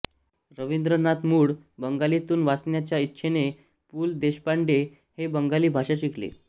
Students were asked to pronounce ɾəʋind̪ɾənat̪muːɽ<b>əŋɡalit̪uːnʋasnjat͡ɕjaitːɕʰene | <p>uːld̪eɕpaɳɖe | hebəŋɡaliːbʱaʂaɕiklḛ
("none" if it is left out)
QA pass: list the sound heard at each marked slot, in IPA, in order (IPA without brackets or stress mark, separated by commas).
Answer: b, p